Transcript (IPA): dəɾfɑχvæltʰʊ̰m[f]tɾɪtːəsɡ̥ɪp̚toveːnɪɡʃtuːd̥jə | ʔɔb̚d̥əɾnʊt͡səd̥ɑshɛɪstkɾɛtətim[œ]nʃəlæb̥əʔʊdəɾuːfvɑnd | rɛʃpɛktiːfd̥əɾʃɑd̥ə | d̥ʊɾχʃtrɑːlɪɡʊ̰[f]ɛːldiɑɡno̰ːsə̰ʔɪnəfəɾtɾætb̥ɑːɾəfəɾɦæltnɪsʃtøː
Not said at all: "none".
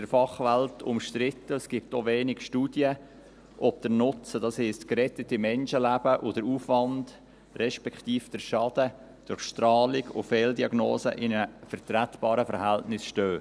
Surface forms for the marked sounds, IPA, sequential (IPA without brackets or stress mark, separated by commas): ʃ, ɛ, f